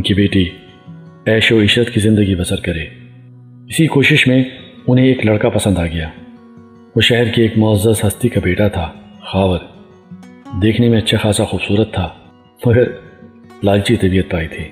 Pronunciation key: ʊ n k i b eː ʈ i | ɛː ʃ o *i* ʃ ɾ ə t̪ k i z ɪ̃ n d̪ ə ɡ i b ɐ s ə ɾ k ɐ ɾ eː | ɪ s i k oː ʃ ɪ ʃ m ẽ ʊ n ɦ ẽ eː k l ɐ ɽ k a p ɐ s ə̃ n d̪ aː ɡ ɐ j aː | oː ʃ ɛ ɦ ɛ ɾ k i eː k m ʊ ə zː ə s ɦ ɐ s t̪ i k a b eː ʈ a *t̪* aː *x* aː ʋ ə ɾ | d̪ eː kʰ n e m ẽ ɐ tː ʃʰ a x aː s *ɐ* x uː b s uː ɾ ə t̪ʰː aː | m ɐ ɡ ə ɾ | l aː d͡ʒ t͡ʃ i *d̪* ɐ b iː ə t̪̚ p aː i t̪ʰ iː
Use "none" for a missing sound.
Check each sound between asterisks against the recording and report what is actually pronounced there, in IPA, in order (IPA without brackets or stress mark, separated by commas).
ɪ, t̪ʰ, x, a, t̪